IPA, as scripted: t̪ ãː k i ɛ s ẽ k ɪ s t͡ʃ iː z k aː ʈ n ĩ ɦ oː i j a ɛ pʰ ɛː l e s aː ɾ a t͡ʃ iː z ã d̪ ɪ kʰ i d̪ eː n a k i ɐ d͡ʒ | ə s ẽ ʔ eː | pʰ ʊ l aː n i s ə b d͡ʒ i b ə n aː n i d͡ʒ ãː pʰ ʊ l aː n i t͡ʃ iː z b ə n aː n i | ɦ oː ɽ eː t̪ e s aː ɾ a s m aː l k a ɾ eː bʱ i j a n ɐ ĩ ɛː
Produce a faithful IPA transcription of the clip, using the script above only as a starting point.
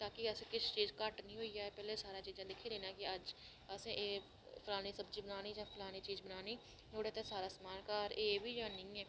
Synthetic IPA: t̪ aː k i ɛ s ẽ k ɪ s t͡ʃ iː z k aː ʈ n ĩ ɦ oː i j a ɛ p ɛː l e s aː ɾ a t͡ʃ iː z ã d̪ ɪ kʰ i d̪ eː n a k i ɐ d͡ʒ | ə s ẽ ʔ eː | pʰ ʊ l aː n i s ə b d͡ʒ i b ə n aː n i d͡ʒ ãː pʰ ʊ l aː n i t͡ʃ iː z b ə n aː n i | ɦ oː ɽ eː t̪ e s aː ɾ a s m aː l k a ɾ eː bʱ i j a n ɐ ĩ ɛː